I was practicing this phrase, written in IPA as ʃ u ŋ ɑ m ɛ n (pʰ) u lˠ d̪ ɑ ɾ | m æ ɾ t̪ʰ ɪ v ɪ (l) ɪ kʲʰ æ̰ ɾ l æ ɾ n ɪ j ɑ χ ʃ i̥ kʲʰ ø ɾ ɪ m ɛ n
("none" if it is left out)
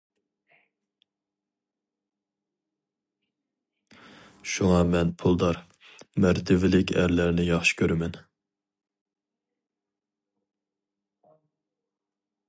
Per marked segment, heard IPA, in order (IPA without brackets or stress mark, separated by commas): pʰ, l